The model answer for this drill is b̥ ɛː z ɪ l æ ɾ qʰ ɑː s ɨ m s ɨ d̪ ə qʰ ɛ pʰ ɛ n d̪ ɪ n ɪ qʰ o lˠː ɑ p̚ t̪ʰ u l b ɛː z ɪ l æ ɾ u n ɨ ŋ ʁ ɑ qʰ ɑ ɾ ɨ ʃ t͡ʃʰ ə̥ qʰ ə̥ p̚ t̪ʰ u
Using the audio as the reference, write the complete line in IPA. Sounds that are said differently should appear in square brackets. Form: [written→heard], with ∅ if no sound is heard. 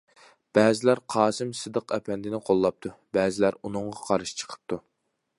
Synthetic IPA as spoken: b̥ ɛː z ɪ l æ ɾ qʰ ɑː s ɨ m s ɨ d̪ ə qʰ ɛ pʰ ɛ n d̪ ɪ n ɪ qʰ o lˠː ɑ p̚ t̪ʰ u [l→∅] b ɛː z ɪ l æ ɾ u n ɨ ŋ ʁ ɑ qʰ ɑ ɾ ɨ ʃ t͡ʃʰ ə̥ qʰ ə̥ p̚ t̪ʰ u